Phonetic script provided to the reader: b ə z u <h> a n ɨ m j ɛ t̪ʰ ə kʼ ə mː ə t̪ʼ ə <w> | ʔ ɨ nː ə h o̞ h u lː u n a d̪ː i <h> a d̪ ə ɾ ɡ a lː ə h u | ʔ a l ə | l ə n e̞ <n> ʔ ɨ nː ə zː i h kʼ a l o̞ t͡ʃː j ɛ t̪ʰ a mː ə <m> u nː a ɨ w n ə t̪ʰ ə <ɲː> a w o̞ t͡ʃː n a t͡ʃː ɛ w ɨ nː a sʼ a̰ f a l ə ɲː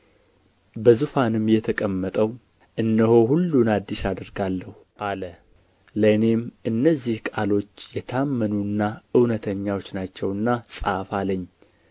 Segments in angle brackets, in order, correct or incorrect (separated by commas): incorrect, correct, incorrect, incorrect, incorrect, correct